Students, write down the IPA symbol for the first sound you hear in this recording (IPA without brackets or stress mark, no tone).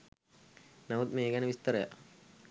n